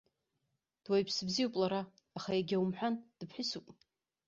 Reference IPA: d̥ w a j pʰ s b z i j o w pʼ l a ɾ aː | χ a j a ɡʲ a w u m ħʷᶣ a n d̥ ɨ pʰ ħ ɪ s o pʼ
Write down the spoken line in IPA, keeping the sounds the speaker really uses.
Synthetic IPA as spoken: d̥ w a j pʰ s b z i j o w pʼ l a ɾ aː | χ a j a ɡʲ a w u m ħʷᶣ a n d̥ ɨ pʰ ħ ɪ s u pʼ